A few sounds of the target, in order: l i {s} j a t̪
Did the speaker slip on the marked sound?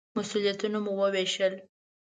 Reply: yes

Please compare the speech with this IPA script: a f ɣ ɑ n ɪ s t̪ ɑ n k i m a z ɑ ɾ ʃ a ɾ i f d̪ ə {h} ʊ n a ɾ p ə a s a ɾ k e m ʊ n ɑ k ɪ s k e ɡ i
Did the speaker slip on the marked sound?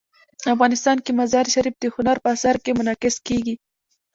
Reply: no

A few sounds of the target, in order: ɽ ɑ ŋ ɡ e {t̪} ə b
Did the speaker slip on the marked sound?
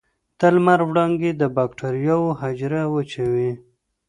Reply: yes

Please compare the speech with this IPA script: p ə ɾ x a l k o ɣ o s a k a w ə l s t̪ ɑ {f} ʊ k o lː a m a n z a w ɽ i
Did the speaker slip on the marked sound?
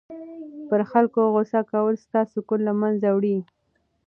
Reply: yes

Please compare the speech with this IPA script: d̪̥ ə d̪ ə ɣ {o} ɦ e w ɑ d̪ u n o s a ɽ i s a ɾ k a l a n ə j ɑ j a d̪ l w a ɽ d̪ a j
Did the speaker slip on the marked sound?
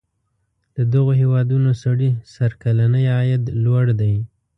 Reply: no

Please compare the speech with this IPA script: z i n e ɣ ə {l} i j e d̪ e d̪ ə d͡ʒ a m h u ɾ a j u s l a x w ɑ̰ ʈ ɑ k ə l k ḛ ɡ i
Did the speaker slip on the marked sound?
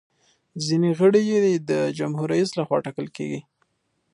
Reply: yes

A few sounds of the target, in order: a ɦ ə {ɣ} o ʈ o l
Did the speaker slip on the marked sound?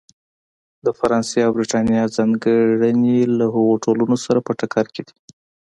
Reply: no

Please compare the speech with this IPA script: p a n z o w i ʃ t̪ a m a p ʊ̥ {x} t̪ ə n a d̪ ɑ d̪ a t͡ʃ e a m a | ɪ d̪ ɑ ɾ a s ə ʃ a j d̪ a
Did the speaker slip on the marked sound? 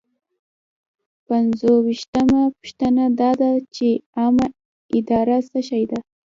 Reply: yes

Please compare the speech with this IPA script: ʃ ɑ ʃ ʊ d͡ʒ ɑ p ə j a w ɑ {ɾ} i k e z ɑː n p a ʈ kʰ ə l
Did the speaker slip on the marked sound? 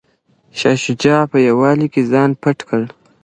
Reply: yes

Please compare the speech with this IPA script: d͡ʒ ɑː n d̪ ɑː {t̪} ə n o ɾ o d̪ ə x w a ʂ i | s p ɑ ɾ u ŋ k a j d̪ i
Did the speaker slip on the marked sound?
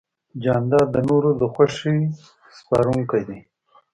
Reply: yes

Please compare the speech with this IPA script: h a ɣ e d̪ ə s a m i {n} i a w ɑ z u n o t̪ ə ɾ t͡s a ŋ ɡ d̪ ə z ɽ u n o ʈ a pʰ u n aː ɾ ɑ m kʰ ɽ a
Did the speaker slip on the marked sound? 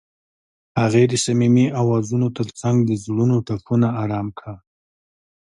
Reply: yes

